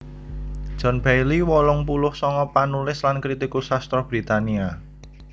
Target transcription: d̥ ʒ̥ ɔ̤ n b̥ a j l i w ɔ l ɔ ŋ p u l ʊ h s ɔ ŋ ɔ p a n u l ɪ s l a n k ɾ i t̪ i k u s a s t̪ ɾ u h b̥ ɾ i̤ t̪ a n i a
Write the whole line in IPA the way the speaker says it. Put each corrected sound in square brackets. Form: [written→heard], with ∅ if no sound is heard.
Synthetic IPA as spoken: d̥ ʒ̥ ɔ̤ n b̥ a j l i w ɔ l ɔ ŋ p u l ʊ h s ɔ ŋ ɔ p a n u l ɪ s l a n k ɾ i t̪ i k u s a s t̪ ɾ [u→ɔ] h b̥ ɾ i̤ t̪ a n i a